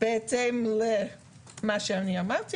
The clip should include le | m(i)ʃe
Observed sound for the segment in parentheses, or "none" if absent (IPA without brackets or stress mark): a